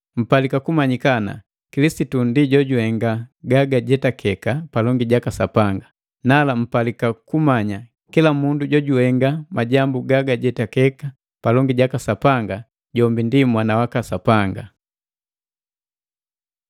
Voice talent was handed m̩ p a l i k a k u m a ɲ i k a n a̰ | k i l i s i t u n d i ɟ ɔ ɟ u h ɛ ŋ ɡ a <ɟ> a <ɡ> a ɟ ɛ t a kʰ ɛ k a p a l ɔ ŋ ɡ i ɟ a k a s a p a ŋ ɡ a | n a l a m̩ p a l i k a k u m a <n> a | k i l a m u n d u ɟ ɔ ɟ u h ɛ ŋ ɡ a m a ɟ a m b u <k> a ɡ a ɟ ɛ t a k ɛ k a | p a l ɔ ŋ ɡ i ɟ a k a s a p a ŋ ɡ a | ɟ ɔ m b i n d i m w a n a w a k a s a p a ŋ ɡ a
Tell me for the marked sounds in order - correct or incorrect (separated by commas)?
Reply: incorrect, correct, incorrect, incorrect